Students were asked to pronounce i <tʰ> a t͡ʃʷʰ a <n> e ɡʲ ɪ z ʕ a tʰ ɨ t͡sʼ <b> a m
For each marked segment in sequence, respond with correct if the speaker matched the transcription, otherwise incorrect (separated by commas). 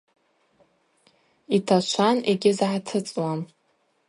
correct, correct, incorrect